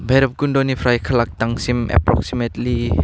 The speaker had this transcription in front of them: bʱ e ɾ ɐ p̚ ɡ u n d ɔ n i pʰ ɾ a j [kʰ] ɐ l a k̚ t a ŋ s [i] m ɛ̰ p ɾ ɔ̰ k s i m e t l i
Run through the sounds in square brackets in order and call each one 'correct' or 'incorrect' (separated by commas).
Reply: correct, correct